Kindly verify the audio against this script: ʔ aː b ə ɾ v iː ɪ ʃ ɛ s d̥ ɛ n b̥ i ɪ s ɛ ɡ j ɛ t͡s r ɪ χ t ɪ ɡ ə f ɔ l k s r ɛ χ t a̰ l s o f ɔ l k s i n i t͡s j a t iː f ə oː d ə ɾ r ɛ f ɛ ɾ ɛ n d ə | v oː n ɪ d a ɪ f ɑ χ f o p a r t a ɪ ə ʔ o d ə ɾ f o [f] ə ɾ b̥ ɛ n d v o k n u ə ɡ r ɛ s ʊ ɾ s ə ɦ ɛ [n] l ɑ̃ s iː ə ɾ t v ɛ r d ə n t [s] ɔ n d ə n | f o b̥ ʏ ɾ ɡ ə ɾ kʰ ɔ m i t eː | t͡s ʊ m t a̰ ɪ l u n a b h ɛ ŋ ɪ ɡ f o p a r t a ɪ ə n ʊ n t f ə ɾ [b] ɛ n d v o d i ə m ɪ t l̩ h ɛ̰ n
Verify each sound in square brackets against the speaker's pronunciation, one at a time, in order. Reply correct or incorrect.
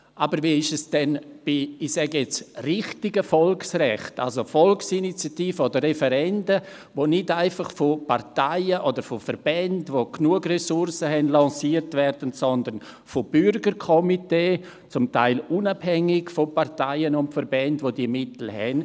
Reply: correct, correct, correct, correct

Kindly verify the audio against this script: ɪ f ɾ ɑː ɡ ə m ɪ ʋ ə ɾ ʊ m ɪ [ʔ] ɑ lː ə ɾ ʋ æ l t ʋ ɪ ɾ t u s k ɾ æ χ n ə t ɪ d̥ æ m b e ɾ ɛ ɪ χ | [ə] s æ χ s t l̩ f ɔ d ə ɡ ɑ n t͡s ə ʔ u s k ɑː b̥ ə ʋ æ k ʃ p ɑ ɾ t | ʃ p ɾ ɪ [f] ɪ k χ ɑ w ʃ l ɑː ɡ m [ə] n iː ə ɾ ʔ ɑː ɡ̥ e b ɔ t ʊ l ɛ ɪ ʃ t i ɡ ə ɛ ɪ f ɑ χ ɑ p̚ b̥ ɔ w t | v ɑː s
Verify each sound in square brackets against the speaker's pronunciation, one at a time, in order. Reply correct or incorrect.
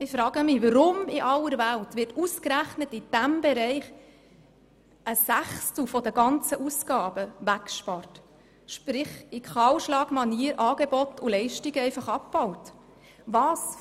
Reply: correct, correct, incorrect, incorrect

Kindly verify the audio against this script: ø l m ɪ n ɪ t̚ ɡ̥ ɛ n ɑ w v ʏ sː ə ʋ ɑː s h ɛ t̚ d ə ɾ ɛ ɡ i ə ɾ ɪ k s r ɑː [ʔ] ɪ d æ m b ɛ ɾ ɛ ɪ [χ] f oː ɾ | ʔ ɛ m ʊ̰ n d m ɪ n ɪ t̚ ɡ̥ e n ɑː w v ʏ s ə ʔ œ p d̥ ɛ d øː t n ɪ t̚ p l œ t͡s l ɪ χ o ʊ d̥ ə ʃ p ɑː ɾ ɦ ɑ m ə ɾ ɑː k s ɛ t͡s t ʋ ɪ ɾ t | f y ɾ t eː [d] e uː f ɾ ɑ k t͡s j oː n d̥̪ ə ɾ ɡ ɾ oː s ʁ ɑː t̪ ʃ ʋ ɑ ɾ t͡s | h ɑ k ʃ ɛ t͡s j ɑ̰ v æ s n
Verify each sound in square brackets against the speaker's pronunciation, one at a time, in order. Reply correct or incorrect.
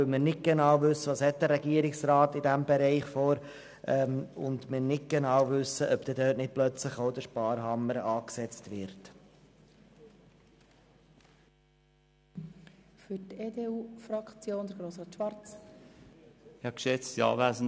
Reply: incorrect, correct, correct

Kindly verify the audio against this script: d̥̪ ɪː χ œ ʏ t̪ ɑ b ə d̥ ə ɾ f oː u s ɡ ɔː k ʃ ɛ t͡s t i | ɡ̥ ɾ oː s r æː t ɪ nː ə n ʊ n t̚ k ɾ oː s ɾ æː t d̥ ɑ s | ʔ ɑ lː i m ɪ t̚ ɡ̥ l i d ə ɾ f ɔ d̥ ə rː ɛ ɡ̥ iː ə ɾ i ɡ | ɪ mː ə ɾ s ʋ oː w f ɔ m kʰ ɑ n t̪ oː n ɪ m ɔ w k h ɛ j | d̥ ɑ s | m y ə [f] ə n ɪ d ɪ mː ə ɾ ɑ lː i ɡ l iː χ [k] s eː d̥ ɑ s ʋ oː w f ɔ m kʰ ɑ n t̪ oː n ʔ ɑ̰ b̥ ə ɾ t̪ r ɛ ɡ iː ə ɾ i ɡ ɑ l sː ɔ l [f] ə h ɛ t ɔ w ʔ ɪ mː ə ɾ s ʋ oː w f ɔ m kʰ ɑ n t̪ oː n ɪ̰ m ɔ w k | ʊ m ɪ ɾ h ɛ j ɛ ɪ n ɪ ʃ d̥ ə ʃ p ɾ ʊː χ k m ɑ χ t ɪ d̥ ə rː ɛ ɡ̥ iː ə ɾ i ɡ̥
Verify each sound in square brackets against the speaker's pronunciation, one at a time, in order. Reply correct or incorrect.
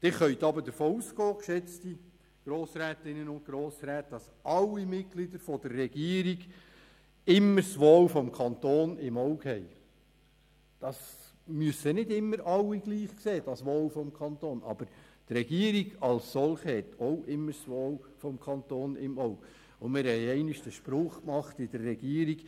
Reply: incorrect, correct, incorrect

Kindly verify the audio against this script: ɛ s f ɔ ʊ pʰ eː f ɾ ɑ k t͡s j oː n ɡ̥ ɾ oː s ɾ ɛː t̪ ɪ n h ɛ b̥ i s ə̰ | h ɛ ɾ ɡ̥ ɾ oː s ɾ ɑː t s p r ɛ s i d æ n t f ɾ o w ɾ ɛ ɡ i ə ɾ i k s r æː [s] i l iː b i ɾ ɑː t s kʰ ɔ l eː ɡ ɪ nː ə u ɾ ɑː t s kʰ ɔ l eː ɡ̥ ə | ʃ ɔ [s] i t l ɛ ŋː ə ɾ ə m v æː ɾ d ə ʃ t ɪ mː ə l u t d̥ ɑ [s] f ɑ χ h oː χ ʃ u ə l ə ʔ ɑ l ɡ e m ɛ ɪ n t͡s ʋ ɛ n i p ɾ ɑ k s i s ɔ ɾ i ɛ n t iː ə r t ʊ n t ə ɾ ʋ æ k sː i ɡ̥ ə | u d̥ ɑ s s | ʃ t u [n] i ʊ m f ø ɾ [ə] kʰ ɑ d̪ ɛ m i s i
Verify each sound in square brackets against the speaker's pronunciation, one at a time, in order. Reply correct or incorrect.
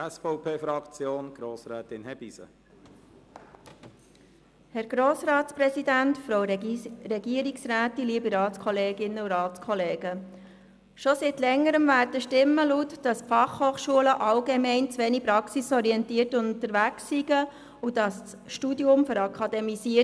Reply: incorrect, correct, correct, incorrect, incorrect

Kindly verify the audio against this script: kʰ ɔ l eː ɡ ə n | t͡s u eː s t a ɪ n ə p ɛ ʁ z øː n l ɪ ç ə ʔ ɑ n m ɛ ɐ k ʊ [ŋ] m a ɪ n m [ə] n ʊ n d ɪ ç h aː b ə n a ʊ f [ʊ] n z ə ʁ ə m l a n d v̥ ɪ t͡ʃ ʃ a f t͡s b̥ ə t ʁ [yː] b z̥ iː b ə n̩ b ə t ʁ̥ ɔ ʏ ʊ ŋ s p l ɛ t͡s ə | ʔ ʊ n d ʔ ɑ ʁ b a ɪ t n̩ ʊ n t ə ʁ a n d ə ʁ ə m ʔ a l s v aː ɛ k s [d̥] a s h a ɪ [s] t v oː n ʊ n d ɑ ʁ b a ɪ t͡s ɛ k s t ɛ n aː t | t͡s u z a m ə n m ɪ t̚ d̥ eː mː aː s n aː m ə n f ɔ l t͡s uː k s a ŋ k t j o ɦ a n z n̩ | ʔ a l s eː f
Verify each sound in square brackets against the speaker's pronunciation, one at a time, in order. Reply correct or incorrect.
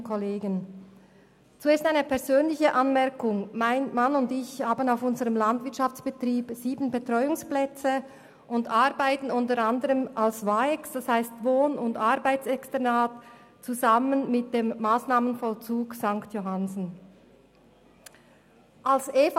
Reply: correct, incorrect, correct, incorrect, correct, correct

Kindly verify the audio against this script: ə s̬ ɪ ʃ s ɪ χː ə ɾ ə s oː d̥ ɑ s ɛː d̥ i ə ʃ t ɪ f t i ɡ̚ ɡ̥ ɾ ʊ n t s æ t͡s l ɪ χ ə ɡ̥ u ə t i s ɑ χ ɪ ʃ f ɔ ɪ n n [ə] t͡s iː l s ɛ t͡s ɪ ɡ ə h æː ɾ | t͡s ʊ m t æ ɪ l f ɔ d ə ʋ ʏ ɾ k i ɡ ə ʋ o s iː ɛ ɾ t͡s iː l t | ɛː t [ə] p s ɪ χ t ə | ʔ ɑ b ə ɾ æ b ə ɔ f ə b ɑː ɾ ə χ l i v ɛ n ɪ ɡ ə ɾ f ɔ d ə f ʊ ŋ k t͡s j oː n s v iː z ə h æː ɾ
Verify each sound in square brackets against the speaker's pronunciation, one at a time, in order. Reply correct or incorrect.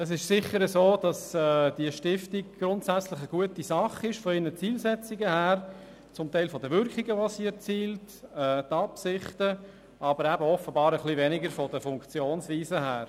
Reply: correct, incorrect

